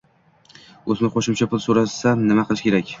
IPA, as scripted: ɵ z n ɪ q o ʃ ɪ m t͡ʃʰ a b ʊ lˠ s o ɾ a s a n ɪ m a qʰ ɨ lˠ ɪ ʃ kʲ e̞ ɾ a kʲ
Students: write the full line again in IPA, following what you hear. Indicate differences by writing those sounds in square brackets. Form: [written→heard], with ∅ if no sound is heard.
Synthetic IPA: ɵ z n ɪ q o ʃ ɪ m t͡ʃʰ a [b→p] ʊ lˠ s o ɾ a s a n ɪ m a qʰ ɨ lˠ ɪ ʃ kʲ e̞ ɾ a kʲ